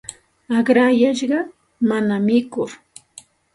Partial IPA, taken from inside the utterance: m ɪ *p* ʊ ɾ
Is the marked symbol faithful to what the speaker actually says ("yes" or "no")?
no